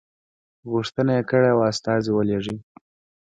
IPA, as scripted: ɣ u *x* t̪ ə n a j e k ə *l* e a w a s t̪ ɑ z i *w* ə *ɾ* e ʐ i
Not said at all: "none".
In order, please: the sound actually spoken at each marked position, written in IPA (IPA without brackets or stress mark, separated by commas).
ʂ, ɽ, w, l